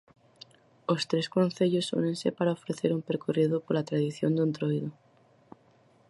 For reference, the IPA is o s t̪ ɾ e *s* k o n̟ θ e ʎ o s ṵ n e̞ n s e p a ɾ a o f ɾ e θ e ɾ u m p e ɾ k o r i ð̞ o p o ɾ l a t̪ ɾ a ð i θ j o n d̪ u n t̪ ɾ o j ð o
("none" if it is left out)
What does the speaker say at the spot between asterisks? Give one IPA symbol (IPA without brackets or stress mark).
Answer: s